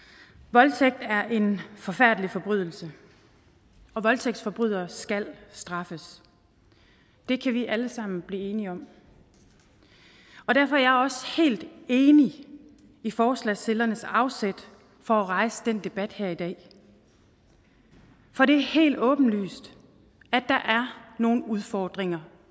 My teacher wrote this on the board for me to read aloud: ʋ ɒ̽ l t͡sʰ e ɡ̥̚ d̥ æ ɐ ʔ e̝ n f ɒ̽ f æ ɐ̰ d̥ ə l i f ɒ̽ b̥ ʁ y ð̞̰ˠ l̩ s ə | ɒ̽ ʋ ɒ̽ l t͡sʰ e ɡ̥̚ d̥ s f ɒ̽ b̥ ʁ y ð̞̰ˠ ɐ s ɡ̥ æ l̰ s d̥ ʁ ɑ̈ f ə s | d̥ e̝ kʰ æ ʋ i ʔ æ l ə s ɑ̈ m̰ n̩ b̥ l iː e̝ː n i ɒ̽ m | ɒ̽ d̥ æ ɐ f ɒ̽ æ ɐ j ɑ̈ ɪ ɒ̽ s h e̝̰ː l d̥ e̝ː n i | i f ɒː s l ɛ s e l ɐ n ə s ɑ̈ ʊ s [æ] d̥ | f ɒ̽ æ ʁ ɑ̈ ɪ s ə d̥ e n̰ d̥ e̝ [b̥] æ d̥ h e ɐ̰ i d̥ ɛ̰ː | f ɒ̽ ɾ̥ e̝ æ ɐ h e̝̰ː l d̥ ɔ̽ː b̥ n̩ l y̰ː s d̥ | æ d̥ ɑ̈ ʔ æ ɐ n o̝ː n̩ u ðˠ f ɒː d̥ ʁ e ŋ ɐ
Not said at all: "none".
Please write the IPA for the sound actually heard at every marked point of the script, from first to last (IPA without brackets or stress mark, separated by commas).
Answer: e, b̥